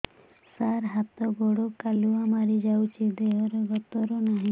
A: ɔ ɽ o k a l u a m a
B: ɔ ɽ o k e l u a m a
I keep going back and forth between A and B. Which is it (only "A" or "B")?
A